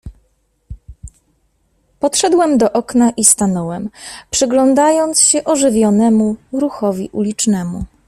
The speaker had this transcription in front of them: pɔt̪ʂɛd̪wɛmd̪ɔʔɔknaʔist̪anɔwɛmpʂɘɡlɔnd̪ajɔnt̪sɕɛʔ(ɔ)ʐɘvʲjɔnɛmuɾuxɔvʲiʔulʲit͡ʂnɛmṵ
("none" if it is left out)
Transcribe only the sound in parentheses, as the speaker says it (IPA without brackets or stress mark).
ɔ